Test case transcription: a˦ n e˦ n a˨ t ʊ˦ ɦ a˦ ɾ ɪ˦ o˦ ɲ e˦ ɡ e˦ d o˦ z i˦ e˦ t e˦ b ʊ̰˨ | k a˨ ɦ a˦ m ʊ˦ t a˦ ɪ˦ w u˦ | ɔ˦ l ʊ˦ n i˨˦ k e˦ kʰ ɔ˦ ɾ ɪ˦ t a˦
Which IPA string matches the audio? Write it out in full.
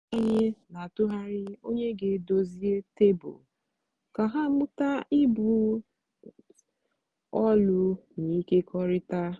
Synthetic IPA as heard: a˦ ɲ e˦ n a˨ t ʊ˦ ɦ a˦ ɾ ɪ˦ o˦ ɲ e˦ ɡ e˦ d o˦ z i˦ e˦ t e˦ b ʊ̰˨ | k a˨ ɦ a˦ m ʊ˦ t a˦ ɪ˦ b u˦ | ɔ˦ l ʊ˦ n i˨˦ k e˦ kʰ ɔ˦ ɾ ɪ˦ t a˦